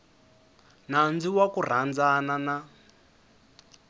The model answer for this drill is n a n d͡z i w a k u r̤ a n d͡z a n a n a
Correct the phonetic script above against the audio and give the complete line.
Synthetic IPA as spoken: n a n d͡z i w a k u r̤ a n d͡z a n a n a